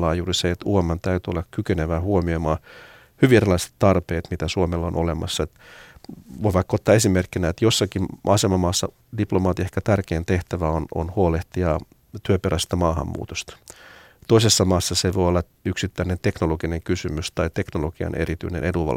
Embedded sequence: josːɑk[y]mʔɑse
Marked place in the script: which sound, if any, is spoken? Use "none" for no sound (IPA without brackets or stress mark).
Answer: i